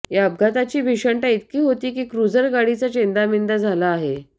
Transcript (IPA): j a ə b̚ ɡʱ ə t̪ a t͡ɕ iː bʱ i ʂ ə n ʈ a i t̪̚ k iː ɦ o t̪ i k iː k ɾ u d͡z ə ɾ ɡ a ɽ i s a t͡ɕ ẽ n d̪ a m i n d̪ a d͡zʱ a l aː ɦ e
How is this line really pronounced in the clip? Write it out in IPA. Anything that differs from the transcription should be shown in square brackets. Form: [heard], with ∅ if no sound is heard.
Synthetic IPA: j a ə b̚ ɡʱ [a] t̪ a t͡ɕ iː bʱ i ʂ ə [ɳ] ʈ a i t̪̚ k iː ɦ o t̪ [iː] k iː k ɾ u d͡z ə ɾ ɡ a ɽ i [t͡s] a t͡ɕ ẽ n d̪ a m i n d̪ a d͡zʱ a l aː ɦ e